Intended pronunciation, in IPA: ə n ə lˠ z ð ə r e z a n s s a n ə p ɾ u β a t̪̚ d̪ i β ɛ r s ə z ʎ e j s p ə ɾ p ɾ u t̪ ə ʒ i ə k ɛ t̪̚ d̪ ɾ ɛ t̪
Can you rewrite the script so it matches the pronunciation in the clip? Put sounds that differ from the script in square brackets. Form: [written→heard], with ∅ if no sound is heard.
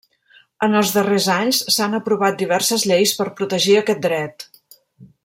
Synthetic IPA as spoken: ə n ə lˠ z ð ə r e z a [n→ɲ] s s a n ə p ɾ u β a t̪̚ d̪ i β ɛ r s ə z ʎ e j s p ə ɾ p ɾ u t̪ ə ʒ i ə k ɛ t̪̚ d̪ ɾ ɛ t̪